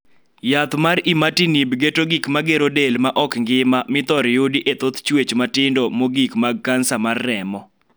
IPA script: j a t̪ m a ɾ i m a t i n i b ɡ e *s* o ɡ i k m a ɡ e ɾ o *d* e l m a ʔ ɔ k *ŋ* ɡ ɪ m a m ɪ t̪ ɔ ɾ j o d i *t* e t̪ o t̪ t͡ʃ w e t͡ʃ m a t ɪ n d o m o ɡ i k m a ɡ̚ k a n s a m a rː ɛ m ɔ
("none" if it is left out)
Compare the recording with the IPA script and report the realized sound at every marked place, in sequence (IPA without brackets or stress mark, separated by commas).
t, d, ŋ, ʔ